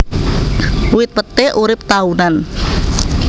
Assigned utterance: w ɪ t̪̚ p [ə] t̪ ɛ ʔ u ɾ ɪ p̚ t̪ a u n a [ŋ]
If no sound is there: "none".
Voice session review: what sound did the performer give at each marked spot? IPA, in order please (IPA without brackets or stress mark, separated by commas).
ə, n